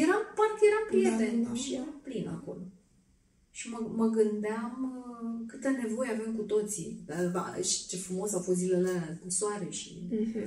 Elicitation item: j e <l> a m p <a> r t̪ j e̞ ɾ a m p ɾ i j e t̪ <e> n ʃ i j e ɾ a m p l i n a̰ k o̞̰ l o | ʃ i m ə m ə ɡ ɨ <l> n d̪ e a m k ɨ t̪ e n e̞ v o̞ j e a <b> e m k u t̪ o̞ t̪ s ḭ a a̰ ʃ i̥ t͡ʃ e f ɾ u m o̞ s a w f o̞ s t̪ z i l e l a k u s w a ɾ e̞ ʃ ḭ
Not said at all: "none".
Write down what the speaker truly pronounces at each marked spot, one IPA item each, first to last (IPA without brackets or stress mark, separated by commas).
ɾ, a, e, none, v